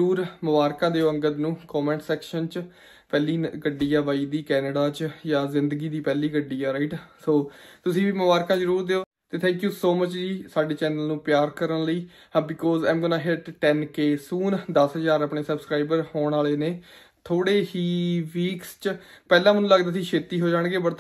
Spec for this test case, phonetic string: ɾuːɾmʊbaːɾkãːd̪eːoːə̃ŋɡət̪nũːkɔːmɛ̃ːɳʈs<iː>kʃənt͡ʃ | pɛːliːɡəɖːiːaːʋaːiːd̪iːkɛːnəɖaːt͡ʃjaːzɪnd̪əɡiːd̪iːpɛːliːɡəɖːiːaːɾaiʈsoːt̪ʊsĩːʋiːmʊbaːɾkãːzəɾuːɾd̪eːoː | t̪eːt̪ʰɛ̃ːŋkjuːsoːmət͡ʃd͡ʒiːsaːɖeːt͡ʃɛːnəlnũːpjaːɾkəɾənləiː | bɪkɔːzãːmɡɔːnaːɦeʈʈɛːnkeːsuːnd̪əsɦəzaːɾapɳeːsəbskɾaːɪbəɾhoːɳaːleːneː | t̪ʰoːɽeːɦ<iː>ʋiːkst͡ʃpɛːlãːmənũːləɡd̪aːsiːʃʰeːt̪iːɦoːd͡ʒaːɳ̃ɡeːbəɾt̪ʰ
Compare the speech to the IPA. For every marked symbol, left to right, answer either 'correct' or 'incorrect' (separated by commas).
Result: incorrect, correct